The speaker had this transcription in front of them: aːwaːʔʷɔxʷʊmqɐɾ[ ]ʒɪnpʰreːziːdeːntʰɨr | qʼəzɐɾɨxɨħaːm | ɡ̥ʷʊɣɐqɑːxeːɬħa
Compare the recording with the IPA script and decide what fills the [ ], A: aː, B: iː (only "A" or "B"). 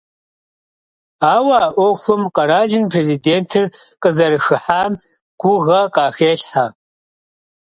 A